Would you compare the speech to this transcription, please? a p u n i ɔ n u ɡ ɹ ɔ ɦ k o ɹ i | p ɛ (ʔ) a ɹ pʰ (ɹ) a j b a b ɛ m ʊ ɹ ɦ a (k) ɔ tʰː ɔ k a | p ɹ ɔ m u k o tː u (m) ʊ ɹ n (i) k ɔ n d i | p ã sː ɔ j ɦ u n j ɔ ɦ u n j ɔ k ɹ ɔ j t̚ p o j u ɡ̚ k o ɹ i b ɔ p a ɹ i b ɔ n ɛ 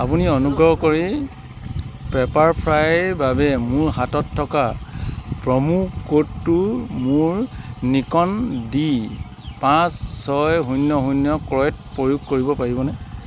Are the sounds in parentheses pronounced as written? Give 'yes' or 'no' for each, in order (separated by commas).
no, yes, no, yes, yes